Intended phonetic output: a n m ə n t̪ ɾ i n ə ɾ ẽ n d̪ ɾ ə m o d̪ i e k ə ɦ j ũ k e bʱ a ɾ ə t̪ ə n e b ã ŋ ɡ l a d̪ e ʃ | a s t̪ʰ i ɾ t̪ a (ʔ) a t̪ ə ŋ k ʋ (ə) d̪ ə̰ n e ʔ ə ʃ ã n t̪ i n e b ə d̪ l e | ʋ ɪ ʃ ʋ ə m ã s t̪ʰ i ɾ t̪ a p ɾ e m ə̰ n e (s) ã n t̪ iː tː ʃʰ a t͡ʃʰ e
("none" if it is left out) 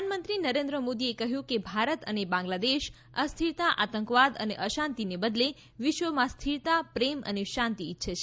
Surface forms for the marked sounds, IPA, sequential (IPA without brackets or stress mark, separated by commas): ʔ, a, ʃ